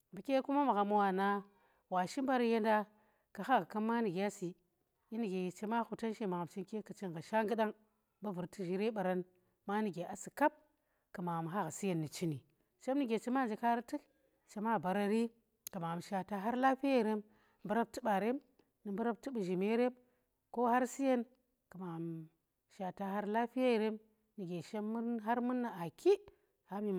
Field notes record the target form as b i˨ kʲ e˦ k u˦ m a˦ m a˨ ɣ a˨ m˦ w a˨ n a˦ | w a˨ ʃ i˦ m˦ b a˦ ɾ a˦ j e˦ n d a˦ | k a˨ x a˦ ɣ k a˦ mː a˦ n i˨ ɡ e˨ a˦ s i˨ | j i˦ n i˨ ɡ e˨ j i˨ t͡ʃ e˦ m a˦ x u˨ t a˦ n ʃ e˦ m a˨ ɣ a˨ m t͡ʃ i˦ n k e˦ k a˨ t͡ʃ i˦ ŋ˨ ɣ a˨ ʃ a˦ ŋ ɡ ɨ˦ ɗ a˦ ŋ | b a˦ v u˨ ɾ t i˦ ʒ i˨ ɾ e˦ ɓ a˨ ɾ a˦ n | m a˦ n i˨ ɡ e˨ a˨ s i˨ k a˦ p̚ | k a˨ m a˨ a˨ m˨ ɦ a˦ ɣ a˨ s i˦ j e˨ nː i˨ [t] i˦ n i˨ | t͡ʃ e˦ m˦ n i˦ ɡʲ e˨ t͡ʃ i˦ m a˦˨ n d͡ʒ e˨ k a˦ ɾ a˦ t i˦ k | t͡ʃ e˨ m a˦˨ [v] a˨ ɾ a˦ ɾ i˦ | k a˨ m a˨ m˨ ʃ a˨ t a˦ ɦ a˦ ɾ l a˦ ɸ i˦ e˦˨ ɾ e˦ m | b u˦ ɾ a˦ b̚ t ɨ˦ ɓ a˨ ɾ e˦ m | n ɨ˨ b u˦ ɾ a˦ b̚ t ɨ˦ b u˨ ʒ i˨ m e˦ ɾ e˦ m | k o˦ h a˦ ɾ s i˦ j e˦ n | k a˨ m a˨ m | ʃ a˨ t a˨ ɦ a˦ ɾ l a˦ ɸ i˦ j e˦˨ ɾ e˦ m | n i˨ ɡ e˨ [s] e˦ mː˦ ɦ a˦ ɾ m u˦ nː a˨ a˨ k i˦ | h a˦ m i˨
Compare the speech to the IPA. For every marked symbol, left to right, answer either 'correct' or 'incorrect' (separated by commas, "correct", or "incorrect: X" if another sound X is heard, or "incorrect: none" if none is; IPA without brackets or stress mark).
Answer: incorrect: t͡ʃ, incorrect: b, incorrect: ʃ